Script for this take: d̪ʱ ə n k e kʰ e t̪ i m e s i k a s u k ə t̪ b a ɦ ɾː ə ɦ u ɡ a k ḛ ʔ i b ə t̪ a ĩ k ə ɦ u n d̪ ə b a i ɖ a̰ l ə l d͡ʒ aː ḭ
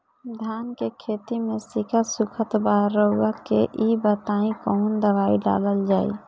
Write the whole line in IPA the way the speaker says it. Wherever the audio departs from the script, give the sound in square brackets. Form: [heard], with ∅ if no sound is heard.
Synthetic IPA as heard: d̪ʱ [a] n k e kʰ e t̪ i m e s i k a s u [kʰ] ə t̪ b a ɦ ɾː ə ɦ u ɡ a k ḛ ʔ i b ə t̪ a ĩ k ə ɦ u n d̪ ə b a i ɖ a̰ l ə l d͡ʒ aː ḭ